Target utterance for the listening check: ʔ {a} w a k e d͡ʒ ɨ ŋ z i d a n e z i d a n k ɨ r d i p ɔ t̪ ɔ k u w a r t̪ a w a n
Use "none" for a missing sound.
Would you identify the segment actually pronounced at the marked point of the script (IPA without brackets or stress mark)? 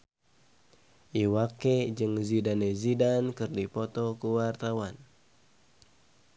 i